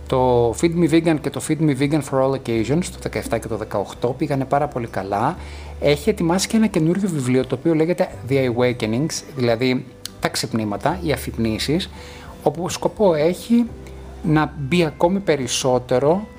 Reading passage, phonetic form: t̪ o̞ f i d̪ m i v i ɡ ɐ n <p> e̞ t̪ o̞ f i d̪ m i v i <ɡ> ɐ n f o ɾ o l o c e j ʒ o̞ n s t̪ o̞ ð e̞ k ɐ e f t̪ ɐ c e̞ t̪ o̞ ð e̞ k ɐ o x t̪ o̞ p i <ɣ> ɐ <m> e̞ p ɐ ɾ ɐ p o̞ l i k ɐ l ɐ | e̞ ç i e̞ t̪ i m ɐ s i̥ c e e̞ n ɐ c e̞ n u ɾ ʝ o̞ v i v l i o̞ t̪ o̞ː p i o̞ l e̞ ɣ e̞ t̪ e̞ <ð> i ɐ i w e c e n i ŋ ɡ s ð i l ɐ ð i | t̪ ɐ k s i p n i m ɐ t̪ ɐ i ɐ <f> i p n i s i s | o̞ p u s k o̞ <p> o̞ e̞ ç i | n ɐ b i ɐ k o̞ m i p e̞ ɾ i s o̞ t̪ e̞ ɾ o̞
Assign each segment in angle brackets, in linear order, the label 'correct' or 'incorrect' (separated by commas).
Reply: incorrect, correct, correct, incorrect, correct, correct, correct